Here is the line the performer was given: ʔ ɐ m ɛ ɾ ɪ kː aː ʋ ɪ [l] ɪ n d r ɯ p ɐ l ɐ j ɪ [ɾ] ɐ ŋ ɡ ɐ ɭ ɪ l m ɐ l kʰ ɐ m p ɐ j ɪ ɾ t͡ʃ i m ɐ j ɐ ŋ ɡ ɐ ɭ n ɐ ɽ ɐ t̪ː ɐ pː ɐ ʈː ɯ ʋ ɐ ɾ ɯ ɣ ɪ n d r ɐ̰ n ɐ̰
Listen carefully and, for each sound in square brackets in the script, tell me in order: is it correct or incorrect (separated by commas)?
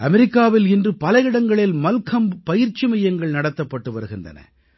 correct, incorrect